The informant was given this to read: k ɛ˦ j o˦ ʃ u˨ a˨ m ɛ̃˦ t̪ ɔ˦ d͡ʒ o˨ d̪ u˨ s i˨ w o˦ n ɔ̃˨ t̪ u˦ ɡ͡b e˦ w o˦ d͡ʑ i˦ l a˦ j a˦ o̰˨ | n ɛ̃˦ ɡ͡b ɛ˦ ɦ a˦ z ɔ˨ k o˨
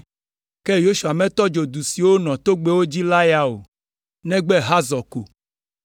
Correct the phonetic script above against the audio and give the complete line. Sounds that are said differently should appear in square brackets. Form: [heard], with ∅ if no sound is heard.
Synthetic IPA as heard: k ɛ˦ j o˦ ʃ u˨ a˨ m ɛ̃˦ t̪ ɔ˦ d͡ʒ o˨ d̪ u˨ s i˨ w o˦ n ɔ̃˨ t̪ [o˦] ɡ͡b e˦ w o˦ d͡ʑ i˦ l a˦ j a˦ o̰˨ | n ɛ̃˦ ɡ͡b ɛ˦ ɦ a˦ z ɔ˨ k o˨